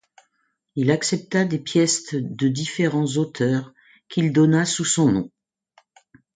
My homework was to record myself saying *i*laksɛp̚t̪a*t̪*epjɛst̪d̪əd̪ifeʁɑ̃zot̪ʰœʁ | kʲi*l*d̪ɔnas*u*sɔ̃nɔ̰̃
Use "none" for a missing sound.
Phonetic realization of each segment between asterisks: i, d̪, l, u

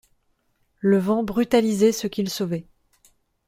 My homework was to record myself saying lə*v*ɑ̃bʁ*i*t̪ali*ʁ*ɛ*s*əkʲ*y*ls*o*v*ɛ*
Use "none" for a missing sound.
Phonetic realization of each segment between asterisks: v, y, z, s, i, o, ɛ

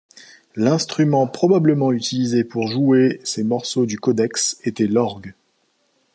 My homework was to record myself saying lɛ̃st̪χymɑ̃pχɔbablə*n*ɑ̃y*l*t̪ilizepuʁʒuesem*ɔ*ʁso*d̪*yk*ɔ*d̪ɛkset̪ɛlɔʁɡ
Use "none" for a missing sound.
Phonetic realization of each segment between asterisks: m, none, ɔ, d̪, ɔ

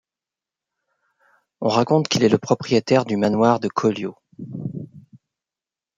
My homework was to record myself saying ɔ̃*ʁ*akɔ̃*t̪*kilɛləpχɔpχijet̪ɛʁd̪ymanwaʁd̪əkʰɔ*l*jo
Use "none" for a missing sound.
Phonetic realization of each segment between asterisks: ʁ, t̪, l

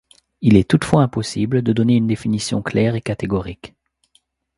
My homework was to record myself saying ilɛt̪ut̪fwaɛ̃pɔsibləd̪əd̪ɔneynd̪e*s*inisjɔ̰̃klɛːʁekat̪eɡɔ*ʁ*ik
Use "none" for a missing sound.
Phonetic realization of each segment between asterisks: f, ʁ

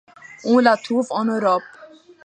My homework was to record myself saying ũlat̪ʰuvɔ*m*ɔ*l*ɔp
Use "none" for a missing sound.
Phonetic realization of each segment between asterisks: n, ɾ

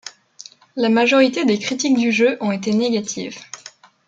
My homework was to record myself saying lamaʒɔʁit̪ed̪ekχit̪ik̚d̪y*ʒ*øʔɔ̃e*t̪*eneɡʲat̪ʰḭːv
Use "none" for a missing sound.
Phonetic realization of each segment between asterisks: ʒ, t̪

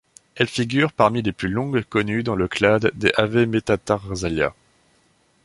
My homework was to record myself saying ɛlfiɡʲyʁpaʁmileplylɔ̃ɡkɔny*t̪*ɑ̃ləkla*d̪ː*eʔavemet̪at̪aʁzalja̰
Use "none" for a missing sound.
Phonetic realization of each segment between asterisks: d̪, d̪ː

